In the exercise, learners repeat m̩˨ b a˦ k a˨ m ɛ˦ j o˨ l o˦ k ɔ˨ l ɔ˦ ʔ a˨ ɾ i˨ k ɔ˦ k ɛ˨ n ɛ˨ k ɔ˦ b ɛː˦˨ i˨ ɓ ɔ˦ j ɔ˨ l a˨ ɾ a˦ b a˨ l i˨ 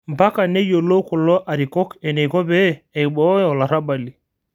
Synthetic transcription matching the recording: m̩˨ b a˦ k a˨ n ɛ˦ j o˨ l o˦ k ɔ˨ l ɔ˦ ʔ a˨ ɾ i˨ k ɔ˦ k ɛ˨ n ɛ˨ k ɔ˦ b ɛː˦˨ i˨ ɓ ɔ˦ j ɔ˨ l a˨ ɾ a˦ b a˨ l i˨